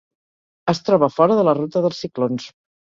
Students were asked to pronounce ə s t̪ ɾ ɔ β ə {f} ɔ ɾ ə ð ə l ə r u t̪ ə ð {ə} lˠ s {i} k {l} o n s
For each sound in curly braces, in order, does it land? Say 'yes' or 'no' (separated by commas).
yes, yes, yes, yes